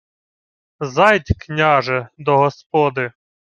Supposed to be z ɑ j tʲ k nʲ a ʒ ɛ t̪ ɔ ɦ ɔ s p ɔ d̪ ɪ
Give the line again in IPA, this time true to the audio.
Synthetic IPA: z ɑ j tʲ k nʲ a ʒ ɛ d̪ ɔ ɦ ɔ s p ɔ d̪ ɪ